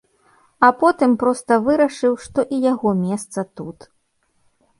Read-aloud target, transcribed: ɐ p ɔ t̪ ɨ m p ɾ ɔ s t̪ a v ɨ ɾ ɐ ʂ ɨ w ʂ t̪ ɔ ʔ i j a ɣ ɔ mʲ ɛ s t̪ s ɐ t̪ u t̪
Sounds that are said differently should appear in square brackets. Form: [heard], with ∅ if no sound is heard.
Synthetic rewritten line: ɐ p ɔ t̪ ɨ m p ɾ ɔ s t̪ [ɐ] v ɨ ɾ ɐ ʂ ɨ w ʂ t̪ ɔ ʔ i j a ɣ ɔ mʲ ɛ s t̪ s ɐ t̪ u t̪